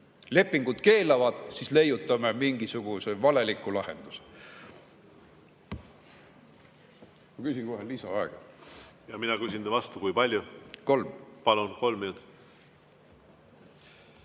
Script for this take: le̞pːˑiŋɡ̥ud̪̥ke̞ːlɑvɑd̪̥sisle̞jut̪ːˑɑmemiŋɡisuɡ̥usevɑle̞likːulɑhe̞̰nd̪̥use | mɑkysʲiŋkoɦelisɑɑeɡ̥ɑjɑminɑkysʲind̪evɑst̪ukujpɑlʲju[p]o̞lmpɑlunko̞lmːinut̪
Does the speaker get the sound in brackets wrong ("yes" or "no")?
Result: yes